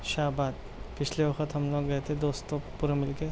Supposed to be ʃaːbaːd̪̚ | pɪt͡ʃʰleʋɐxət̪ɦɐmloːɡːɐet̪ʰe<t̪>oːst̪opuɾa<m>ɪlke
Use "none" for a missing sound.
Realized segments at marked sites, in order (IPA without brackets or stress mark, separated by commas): d̪, m